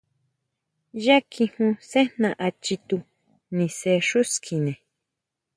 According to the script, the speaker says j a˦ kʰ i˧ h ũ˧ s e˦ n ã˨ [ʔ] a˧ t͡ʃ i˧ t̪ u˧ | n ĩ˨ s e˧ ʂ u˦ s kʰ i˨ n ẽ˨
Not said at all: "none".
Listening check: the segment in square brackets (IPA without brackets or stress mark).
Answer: ʔ